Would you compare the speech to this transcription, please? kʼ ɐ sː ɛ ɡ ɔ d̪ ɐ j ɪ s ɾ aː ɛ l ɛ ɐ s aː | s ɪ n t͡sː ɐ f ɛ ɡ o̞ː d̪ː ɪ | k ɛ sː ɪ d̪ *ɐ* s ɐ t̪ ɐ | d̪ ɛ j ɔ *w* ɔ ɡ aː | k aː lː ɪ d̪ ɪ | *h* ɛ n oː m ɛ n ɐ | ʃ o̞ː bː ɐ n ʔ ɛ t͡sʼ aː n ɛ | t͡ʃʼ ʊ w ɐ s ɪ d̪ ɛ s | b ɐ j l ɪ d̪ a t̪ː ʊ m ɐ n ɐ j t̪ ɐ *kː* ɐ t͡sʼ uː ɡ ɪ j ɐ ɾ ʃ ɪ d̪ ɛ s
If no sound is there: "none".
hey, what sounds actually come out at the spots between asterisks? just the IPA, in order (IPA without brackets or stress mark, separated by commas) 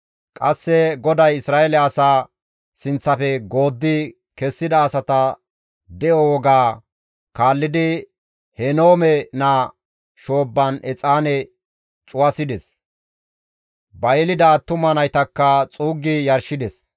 ɐː, w, h, kː